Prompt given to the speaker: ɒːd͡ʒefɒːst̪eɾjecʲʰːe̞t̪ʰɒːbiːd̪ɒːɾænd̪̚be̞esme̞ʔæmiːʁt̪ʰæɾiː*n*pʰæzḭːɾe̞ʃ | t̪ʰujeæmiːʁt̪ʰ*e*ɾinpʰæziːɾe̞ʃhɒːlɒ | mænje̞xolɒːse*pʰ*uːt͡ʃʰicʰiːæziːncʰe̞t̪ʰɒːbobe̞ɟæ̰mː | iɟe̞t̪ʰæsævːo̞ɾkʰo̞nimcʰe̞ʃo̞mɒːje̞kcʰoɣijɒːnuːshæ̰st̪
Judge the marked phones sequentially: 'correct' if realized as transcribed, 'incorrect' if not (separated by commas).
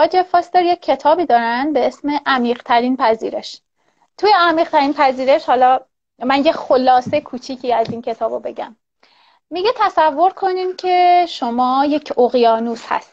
correct, incorrect, incorrect